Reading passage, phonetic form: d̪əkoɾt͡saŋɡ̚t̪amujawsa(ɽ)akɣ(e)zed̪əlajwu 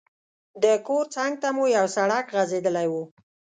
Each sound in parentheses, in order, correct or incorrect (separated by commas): correct, incorrect